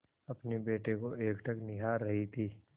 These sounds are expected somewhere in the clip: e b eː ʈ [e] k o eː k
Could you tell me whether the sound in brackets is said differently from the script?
no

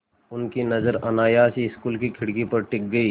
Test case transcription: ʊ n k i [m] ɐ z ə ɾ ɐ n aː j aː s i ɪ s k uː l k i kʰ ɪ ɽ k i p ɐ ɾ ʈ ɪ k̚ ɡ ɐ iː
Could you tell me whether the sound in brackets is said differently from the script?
yes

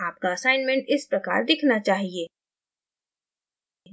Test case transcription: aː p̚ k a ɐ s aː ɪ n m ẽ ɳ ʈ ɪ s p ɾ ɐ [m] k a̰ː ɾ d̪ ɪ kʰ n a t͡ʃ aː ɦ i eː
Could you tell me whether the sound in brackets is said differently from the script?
yes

